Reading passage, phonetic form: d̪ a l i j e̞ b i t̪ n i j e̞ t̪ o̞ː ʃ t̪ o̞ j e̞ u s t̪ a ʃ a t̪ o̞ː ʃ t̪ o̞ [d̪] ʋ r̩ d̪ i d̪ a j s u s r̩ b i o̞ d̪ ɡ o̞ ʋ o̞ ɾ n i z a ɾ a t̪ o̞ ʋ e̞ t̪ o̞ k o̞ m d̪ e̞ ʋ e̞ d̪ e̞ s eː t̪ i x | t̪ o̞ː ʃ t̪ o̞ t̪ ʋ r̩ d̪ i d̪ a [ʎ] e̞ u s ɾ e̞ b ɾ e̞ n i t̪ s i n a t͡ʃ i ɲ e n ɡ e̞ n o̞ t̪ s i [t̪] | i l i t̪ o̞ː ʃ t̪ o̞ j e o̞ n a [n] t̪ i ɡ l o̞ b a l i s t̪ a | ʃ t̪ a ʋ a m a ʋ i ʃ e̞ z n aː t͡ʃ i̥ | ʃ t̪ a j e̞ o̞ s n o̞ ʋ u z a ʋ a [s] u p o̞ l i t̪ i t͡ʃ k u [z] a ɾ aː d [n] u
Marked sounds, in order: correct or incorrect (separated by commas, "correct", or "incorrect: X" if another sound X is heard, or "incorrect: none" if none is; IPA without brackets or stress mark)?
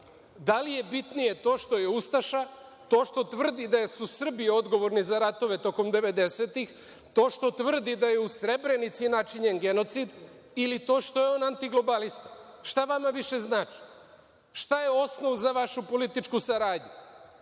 incorrect: t̪, incorrect: j, incorrect: d̪, correct, incorrect: ʃ, incorrect: s, incorrect: ɲ